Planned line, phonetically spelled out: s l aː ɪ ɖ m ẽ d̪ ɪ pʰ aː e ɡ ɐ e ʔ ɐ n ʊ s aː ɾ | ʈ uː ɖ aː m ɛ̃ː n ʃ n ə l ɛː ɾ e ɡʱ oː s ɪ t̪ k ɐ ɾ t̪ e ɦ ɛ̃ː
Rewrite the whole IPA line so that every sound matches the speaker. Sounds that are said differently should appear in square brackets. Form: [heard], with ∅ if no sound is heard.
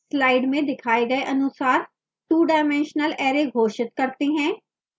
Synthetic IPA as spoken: s l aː ɪ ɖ m ẽ d̪ ɪ [kʰ] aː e ɡ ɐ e ʔ ɐ n ʊ s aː ɾ | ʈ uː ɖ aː m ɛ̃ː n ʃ n ə l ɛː ɾ e ɡʱ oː [ʃ] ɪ t̪ k ɐ ɾ t̪ e ɦ ɛ̃ː